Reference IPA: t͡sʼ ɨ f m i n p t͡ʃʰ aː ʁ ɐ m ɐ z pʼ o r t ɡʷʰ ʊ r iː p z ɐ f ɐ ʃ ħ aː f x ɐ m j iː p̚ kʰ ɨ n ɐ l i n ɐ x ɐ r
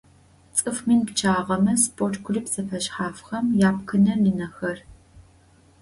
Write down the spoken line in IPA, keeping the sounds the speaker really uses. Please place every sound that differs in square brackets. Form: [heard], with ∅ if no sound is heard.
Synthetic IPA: t͡sʼ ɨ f m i n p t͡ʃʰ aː ʁ ɐ m ɐ [s] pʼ o r t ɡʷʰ ʊ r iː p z ɐ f ɐ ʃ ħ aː f x ɐ m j [aː] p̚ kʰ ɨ n ɐ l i n ɐ x ɐ r